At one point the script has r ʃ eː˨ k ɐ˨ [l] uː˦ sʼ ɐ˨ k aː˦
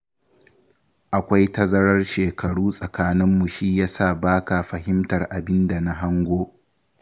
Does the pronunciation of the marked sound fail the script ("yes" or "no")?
yes